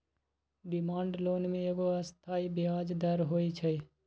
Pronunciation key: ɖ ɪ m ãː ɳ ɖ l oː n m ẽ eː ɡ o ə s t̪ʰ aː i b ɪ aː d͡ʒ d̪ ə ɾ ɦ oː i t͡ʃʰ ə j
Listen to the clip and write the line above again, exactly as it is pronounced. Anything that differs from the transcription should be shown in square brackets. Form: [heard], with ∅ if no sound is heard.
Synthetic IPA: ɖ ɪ m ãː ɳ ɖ l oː n m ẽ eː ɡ o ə s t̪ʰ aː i b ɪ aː d͡ʒ d̪ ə ɾ ɦ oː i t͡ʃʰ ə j